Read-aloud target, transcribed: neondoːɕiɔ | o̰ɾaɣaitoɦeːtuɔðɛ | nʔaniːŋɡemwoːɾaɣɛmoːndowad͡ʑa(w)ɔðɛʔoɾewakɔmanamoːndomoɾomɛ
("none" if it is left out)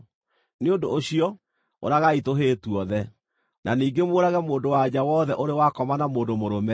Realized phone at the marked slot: w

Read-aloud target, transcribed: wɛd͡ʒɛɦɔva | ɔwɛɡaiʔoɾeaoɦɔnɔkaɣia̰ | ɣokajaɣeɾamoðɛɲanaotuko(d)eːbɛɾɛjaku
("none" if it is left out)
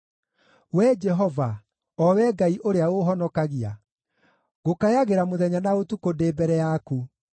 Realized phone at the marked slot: d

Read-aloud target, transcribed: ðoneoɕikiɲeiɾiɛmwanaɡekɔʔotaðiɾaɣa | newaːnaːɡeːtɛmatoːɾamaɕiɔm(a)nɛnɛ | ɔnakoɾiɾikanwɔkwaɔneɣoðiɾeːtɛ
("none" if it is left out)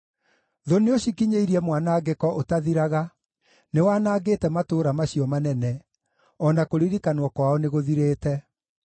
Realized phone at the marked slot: a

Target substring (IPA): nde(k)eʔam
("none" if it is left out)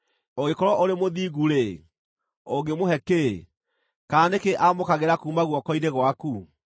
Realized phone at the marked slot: k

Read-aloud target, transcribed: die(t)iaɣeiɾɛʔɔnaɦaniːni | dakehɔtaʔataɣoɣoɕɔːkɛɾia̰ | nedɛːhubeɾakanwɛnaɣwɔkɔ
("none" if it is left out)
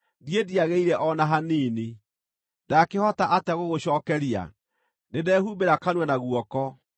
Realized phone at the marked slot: d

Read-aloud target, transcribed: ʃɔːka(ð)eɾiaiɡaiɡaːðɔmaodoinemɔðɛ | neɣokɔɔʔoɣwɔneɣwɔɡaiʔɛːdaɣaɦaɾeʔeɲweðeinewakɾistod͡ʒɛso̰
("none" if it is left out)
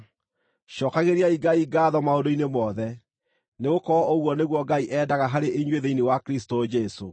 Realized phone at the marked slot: ɣ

